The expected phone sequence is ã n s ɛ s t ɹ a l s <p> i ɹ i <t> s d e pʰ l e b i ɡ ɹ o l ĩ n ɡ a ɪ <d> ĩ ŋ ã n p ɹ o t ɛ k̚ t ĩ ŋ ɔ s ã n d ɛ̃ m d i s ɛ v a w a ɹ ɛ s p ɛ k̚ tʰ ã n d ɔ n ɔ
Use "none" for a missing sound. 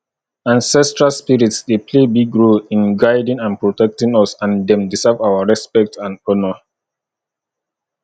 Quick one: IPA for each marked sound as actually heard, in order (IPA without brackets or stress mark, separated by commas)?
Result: p, t, d